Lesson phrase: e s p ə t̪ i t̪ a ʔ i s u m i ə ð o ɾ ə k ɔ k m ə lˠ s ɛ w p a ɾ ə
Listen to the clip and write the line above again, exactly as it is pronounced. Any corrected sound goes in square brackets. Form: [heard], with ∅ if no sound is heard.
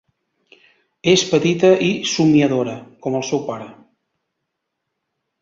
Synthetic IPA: e s p ə t̪ i t̪ [ə] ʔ i s u m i ə ð o ɾ ə k ɔ [∅] m ə lˠ s ɛ w p a ɾ ə